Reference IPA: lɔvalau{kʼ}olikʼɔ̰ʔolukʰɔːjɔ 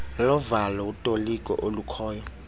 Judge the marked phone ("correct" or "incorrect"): incorrect